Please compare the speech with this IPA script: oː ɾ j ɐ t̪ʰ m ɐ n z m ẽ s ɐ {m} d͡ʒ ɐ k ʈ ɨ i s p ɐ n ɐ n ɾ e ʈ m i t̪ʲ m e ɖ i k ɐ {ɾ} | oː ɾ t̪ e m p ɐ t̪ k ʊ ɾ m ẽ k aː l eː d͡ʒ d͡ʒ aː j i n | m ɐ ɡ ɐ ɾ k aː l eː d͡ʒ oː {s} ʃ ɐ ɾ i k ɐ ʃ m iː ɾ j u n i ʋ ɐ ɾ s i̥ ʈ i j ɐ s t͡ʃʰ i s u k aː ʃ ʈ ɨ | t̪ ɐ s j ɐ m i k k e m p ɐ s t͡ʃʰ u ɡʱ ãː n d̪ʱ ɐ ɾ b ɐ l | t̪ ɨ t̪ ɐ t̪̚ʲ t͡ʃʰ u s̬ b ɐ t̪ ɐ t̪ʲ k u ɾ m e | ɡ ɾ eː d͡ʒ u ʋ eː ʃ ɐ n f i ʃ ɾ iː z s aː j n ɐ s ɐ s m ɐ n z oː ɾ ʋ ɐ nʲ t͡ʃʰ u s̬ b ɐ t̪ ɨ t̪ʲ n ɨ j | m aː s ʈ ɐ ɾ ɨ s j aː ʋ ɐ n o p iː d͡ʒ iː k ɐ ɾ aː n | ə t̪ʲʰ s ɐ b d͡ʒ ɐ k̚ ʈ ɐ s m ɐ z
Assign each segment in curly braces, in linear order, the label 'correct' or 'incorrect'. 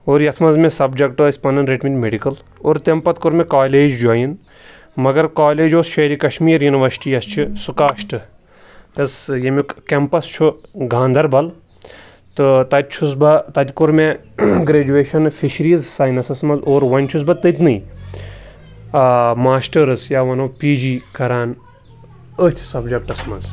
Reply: incorrect: b, incorrect: l, correct

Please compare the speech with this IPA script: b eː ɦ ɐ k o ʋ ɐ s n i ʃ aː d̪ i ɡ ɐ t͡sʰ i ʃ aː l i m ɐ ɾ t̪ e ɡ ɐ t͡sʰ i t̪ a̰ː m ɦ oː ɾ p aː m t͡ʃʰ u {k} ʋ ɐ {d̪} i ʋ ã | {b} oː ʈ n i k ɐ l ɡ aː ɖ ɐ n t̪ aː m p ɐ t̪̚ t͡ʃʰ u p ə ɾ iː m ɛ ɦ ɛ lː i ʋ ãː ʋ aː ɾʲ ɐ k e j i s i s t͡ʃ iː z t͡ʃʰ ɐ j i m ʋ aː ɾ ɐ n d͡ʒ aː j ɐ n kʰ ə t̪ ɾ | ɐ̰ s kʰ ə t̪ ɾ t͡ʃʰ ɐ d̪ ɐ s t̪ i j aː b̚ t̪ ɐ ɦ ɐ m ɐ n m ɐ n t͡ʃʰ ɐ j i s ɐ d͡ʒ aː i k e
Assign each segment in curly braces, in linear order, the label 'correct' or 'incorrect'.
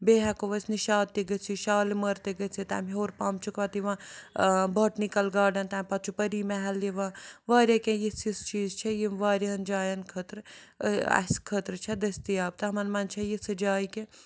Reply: correct, incorrect: t̪, correct

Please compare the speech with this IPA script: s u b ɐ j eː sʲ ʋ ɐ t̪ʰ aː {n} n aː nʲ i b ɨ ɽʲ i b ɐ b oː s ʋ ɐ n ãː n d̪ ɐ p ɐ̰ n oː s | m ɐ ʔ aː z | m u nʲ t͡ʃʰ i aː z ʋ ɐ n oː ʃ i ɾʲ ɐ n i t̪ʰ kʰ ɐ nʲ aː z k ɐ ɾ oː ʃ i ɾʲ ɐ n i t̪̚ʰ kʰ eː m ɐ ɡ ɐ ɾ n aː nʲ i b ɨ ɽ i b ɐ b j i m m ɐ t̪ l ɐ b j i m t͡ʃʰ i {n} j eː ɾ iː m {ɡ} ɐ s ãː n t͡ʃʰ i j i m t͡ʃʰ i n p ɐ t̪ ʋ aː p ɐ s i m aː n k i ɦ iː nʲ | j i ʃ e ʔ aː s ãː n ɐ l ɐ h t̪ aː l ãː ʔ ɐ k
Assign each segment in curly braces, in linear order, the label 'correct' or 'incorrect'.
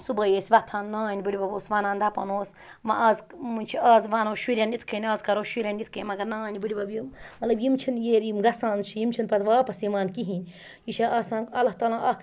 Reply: correct, correct, correct

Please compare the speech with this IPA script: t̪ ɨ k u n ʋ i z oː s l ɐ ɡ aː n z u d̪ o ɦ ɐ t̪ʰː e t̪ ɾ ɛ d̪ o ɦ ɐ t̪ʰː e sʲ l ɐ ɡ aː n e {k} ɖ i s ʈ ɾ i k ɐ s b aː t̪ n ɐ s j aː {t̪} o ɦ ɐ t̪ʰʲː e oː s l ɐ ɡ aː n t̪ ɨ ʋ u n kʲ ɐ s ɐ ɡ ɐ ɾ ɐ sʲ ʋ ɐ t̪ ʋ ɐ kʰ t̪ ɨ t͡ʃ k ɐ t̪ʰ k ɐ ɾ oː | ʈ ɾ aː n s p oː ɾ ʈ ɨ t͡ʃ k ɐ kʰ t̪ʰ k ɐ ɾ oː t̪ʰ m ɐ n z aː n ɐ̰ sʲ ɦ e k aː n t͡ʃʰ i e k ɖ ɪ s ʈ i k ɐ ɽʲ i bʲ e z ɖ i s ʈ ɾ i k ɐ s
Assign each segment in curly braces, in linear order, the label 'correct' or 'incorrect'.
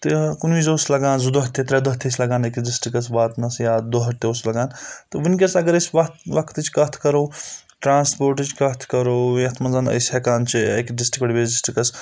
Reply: correct, incorrect: d̪

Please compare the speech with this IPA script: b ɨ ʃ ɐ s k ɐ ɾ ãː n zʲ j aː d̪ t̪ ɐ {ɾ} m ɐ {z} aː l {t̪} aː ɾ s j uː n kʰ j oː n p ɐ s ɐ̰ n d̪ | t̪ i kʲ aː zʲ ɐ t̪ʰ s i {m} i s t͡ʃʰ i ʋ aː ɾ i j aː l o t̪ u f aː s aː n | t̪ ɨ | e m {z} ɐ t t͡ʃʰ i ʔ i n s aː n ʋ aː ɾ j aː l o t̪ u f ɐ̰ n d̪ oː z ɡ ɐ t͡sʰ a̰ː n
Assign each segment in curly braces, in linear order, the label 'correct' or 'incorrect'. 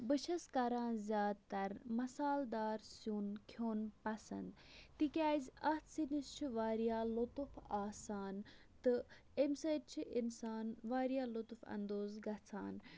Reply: correct, incorrect: s, incorrect: d̪, incorrect: n, incorrect: s

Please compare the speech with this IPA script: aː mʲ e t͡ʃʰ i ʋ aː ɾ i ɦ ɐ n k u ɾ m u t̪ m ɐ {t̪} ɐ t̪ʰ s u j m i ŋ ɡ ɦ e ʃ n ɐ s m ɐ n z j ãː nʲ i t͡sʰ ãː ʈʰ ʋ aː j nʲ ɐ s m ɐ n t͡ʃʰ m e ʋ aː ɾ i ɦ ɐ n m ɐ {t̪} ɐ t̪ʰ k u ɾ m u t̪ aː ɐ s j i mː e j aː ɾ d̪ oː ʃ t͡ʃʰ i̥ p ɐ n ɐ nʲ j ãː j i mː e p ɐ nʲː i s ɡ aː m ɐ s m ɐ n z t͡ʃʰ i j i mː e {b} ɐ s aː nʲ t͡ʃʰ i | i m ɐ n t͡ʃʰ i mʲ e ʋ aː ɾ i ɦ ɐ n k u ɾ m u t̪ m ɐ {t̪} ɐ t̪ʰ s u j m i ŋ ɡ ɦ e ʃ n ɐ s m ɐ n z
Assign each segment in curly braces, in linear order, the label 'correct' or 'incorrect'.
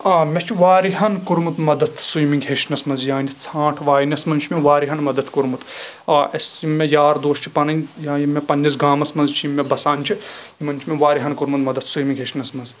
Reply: incorrect: d̪, incorrect: d̪, correct, incorrect: d̪

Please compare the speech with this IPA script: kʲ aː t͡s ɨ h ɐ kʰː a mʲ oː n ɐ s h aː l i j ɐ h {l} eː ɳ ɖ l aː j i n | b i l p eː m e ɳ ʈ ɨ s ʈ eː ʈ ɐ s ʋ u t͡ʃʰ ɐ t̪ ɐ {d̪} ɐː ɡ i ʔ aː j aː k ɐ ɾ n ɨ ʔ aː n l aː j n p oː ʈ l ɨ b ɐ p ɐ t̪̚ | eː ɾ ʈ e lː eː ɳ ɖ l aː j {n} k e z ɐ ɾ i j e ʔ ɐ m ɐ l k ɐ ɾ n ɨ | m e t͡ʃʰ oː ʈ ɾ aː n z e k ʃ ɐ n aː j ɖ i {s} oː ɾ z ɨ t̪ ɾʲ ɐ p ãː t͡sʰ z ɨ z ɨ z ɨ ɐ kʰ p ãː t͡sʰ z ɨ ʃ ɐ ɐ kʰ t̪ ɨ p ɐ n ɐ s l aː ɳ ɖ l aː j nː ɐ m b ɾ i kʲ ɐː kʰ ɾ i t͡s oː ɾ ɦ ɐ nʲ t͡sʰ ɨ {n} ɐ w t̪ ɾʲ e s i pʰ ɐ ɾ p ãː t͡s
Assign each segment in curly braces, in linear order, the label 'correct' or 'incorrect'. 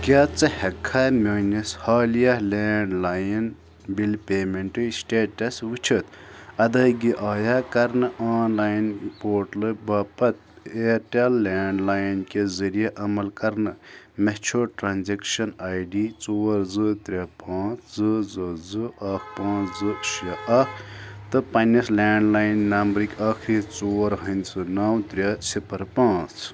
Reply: correct, correct, correct, incorrect: t͡s, correct

